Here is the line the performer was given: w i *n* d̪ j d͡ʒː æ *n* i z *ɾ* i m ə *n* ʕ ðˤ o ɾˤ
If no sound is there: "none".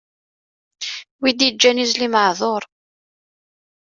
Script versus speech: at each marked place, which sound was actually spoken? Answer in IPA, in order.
none, n, l, none

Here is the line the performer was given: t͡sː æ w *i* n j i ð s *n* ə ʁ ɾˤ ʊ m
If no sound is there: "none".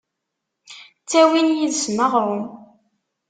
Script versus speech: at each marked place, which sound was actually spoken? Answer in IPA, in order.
i, m

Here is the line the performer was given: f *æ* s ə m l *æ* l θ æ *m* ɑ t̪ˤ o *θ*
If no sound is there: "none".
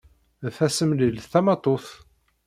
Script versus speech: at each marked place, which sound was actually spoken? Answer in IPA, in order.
æ, i, m, θ

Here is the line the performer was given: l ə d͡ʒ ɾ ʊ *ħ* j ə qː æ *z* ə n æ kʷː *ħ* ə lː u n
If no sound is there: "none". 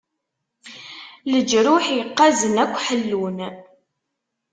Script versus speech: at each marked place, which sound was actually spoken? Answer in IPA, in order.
ħ, z, ħ

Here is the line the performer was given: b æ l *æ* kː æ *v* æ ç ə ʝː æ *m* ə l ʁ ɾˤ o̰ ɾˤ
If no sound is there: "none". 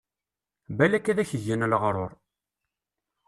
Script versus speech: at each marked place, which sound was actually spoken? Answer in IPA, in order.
æ, ð, n

